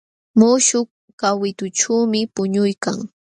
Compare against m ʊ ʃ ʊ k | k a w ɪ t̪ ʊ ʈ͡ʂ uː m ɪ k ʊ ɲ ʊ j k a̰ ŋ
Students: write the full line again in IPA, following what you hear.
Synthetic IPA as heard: m ʊ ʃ ʊ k | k a w ɪ t̪ ʊ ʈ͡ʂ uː m ɪ p ʊ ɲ ʊ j k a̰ ŋ